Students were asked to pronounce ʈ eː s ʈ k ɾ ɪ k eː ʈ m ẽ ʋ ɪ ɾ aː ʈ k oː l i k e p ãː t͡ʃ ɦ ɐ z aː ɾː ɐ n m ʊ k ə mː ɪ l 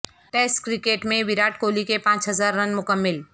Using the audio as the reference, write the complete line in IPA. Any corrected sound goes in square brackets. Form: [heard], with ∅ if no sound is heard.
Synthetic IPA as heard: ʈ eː s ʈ k ɾ ɪ k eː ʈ m ẽ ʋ ɪ ɾ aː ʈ k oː l i k e p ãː t͡ʃ ɦ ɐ z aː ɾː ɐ n m ʊ k ə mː ɪ l